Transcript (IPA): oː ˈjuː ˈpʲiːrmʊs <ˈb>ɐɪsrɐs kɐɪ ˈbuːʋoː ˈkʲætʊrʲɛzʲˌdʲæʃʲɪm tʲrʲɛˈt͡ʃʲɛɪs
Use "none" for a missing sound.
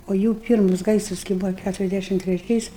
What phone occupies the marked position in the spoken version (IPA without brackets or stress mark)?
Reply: ɡ